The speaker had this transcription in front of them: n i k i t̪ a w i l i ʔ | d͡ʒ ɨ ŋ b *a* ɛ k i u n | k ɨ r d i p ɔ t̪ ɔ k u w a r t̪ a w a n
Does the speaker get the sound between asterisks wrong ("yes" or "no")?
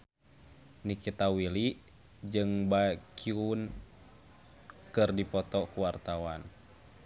no